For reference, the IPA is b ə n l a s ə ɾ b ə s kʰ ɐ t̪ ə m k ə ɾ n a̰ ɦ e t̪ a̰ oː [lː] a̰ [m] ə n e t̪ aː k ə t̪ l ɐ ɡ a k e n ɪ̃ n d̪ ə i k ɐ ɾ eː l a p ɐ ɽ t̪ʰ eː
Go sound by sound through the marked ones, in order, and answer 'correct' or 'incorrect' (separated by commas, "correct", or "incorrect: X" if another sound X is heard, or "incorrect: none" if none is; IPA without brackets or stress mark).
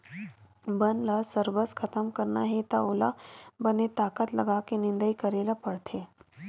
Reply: incorrect: l, incorrect: b